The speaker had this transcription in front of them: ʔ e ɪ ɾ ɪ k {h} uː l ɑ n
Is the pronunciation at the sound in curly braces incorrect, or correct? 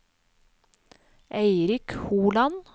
correct